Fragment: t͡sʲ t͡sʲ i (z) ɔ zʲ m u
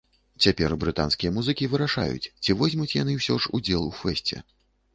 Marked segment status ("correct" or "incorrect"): incorrect